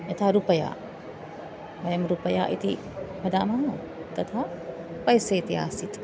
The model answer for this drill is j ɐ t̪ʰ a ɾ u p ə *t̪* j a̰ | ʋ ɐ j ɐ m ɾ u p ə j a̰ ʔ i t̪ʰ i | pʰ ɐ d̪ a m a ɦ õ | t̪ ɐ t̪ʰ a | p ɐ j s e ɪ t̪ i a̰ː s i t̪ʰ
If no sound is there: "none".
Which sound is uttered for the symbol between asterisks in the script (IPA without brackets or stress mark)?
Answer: none